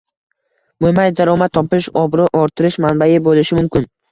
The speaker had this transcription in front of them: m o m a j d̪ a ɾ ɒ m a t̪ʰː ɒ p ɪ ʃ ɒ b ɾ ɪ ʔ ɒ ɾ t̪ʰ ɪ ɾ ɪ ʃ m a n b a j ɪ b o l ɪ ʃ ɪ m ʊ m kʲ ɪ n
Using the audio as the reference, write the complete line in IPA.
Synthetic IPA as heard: m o m a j d̪ a ɾ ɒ m a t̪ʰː ɒ p ɪ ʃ ɒ b ɾ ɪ ʔ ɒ ɾ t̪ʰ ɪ ɾ ɪ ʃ m a n b a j ɪ b o l ɪ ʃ ɪ m ʊ m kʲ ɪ n